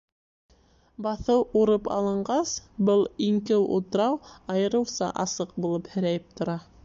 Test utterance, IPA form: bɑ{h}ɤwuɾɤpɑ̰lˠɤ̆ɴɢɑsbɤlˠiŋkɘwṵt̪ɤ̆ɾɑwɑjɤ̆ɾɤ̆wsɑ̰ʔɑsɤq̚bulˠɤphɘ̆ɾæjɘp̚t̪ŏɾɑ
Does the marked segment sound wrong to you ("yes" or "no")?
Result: yes